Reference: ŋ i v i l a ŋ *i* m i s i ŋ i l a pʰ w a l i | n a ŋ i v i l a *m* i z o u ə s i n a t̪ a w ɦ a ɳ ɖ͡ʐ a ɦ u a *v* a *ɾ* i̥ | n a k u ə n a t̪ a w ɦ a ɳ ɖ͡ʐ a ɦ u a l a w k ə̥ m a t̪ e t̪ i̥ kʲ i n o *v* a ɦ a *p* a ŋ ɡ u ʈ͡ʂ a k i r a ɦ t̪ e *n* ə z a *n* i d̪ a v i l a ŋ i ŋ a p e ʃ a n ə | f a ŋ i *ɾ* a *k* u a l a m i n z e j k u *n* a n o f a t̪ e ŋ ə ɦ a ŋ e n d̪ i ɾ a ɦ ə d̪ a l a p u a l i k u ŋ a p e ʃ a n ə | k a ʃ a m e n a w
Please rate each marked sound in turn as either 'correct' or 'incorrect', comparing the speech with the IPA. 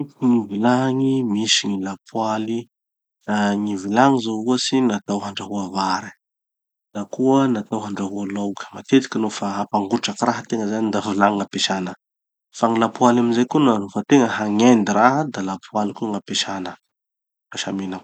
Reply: correct, incorrect, correct, correct, incorrect, correct, incorrect, correct, incorrect, incorrect, correct

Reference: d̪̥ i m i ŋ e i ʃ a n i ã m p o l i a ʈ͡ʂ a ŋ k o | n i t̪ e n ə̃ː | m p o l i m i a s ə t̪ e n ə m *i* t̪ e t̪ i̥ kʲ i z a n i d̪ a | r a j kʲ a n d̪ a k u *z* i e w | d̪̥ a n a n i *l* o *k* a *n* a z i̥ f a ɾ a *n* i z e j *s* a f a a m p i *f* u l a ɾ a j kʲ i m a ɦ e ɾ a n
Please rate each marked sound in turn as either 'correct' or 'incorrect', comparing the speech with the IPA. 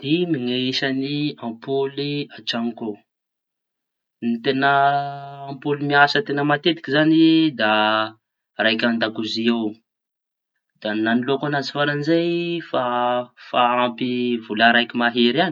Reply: incorrect, correct, correct, correct, correct, correct, incorrect, incorrect

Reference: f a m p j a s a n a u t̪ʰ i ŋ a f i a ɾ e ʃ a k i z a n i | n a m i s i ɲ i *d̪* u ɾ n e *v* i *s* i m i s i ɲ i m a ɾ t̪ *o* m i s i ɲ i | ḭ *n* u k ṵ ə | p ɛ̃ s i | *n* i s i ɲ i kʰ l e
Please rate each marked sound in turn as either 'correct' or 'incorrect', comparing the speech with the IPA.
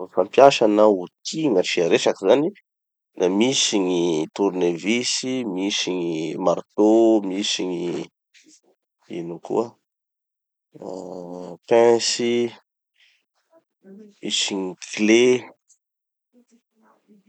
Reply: incorrect, correct, correct, correct, correct, incorrect

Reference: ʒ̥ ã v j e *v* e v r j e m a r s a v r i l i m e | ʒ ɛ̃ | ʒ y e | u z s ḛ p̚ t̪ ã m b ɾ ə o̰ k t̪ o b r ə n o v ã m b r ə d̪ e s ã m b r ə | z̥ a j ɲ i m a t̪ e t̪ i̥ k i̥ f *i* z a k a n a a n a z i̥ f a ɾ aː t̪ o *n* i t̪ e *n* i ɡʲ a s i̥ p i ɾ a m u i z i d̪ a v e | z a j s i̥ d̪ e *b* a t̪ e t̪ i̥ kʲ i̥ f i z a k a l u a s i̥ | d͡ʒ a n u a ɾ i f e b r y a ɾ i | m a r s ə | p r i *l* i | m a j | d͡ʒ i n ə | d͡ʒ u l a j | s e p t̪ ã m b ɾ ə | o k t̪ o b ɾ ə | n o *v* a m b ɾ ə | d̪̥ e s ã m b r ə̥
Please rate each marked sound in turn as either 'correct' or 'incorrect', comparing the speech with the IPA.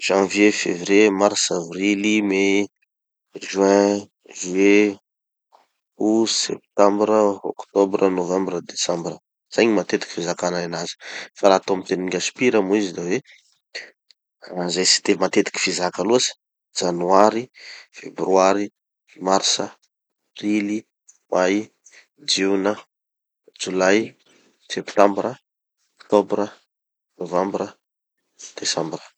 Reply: incorrect, correct, incorrect, correct, incorrect, correct, correct

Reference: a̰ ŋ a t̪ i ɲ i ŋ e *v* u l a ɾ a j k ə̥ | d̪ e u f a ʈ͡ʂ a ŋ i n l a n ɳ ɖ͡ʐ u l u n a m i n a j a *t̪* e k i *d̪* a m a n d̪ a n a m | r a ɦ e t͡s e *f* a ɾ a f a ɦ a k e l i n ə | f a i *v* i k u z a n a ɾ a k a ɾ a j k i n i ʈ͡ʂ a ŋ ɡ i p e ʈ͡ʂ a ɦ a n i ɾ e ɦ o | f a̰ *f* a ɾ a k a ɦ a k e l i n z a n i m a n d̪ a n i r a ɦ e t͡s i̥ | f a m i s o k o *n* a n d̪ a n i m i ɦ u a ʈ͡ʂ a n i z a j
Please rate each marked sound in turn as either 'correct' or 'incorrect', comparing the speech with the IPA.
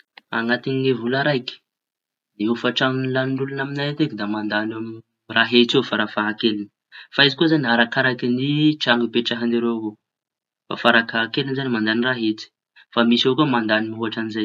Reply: correct, correct, correct, correct, incorrect, correct, incorrect

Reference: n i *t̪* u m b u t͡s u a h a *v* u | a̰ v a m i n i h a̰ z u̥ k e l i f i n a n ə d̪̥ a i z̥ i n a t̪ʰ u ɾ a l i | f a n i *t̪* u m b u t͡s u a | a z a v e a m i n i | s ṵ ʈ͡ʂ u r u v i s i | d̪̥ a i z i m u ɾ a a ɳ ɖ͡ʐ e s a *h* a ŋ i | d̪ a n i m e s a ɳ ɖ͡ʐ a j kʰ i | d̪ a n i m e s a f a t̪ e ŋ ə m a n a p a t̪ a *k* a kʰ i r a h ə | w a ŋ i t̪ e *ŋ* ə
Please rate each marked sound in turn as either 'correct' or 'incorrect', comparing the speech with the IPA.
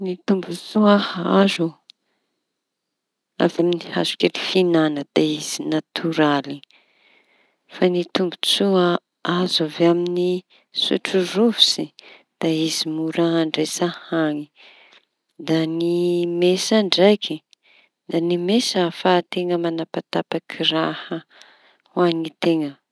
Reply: correct, incorrect, correct, correct, incorrect, correct

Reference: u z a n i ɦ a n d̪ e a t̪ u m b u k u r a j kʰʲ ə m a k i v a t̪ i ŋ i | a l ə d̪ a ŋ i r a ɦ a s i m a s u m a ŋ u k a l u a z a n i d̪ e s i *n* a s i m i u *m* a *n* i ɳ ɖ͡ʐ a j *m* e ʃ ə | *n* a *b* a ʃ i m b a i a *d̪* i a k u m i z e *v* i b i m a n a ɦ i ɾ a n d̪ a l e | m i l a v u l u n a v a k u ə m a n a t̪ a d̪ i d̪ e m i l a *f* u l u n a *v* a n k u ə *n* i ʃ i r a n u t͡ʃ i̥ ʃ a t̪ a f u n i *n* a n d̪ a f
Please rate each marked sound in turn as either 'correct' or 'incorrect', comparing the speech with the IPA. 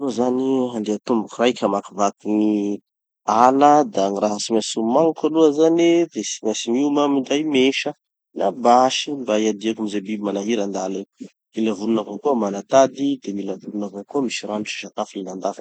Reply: incorrect, correct, incorrect, correct, correct, correct, correct, incorrect, incorrect, correct, incorrect, correct

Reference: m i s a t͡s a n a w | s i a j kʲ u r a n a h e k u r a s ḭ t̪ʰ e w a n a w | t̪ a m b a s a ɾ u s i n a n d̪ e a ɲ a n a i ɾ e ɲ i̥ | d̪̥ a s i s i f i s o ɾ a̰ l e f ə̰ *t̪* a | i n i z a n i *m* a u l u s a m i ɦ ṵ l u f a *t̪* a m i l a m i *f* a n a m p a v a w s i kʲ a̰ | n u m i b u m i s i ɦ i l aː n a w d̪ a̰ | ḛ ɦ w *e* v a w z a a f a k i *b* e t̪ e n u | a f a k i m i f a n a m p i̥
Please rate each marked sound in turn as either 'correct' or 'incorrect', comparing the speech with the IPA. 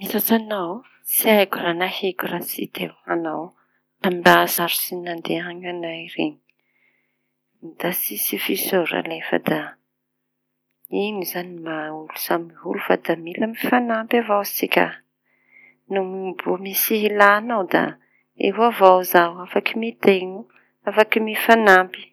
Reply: incorrect, correct, incorrect, correct, incorrect, incorrect

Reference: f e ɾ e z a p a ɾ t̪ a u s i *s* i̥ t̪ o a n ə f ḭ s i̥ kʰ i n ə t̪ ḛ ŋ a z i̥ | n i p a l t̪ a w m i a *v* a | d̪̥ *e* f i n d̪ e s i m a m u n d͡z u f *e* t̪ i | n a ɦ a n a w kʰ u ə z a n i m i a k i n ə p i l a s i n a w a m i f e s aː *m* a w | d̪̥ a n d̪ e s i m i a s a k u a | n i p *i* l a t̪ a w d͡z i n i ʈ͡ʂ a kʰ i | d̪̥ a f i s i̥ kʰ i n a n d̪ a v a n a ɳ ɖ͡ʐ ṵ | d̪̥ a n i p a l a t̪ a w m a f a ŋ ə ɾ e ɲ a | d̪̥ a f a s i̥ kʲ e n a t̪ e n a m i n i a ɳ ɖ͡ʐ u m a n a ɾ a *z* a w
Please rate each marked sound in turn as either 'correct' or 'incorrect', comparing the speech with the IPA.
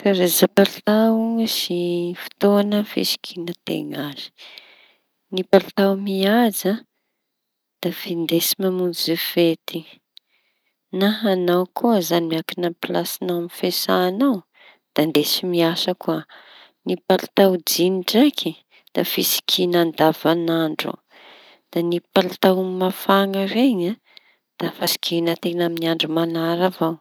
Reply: incorrect, incorrect, incorrect, correct, incorrect, incorrect, incorrect

